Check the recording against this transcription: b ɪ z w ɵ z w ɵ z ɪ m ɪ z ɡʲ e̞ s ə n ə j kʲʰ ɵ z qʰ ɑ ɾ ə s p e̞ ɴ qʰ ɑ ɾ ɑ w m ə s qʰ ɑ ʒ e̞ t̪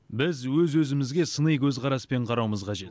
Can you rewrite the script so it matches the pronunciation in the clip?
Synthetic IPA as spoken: b ɪ z w ɵ z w ɵ z ɪ m ɪ z ɡʲ e̞ s ə n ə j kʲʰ ɵ z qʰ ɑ ɾ ɑ s p e̞ ɴ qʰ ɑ ɾ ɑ w m ə z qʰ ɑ ʒ e̞ t̪